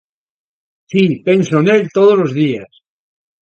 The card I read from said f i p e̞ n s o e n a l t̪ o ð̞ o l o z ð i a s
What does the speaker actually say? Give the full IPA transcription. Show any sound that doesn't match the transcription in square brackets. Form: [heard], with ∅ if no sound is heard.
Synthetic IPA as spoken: [s] i p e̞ n s o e n [e] l t̪ o ð̞ o l o z ð i a s